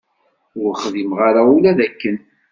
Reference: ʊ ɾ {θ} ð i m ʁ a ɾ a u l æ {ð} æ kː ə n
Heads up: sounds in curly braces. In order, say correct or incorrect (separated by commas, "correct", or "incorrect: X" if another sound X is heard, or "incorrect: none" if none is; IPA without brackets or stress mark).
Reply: incorrect: χ, correct